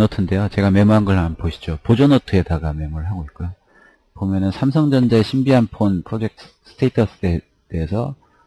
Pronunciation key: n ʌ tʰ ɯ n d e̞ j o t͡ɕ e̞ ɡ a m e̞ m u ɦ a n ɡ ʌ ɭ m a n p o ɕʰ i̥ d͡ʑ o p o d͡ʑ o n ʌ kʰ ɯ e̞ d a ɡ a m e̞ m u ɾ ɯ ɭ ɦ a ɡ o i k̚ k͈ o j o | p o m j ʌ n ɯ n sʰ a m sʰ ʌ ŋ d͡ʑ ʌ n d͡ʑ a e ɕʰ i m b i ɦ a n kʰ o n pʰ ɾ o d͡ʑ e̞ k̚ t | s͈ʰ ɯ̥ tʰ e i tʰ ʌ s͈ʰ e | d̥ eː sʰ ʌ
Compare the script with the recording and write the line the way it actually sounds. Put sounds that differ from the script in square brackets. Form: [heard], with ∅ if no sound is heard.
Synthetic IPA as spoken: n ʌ tʰ ɯ n d e̞ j o t͡ɕ e̞ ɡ a m e̞ m u ɦ a n ɡ ʌ ɭ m a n p o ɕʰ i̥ d͡ʑ o p o d͡ʑ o n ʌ [tʰ] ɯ e̞ d a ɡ a m e̞ m u ɾ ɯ ɭ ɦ a ɡ o i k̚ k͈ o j o | p o m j ʌ n ɯ n sʰ a m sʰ ʌ ŋ d͡ʑ ʌ n d͡ʑ a e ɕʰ i m b i ɦ a n [pʰ] o n pʰ ɾ o d͡ʑ e̞ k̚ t | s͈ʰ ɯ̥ tʰ e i tʰ ʌ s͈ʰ e | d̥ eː sʰ ʌ